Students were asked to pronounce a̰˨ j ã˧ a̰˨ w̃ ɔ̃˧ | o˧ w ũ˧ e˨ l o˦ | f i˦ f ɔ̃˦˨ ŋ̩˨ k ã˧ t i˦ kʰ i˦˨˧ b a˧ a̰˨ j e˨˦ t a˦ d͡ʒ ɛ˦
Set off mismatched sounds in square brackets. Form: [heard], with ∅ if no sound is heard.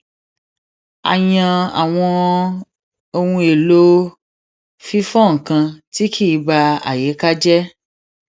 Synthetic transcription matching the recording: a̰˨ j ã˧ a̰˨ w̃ ɔ̃˧ | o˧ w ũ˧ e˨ l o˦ | f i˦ f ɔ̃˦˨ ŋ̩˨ k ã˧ t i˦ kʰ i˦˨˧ b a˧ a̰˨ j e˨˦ [k] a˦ d͡ʒ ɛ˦